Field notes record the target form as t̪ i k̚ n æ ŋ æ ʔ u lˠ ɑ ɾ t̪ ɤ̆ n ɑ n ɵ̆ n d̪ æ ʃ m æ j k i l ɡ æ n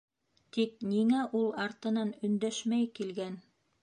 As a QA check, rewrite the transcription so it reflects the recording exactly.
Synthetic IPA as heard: t̪ i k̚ n i ŋ æ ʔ u lˠ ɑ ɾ t̪ ɤ̆ n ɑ n ɵ̆ n d̪ æ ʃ m æ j k i l ɡ æ n